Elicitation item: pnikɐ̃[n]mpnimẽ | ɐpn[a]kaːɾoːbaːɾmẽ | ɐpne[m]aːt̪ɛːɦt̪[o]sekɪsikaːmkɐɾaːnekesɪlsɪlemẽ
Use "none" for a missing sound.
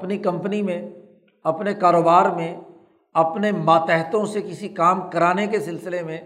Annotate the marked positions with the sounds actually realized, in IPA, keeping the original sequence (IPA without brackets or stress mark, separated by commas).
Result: none, e, m, õ